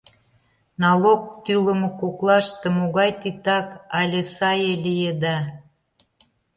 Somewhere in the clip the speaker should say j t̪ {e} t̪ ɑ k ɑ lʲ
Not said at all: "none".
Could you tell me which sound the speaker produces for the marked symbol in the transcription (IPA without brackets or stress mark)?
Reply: i